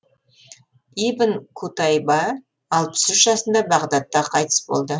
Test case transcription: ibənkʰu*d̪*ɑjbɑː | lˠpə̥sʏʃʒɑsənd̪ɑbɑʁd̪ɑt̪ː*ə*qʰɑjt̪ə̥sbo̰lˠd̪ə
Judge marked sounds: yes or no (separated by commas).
no, no